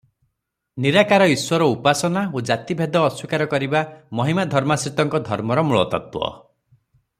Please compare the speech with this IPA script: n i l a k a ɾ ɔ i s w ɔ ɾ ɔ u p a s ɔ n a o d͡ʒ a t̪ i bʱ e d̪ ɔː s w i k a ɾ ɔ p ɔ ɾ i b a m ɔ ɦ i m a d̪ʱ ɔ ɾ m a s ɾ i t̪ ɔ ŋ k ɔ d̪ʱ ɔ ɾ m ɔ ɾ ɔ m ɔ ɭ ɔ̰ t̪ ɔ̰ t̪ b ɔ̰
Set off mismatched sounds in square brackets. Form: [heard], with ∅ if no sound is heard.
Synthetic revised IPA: n i [ɾ] a k a ɾ ɔ i s w ɔ ɾ ɔ u p a s ɔ n a o d͡ʒ a t̪ i bʱ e d̪ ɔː s w i k a ɾ ɔ [k] ɔ ɾ i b a m ɔ ɦ i m a d̪ʱ ɔ ɾ m a s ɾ i t̪ ɔ ŋ k ɔ d̪ʱ ɔ ɾ m ɔ ɾ ɔ m [u] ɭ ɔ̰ t̪ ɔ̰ t̪ [w] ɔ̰